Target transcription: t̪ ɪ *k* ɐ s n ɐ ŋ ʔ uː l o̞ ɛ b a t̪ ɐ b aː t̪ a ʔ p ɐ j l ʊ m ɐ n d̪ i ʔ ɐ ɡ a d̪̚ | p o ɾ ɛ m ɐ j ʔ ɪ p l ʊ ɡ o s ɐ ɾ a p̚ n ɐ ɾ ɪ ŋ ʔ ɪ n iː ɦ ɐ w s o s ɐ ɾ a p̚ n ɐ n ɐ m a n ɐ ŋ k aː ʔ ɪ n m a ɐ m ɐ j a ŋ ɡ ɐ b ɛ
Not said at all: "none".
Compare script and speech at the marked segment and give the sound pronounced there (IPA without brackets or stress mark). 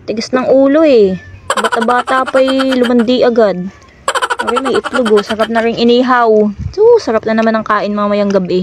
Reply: ɡ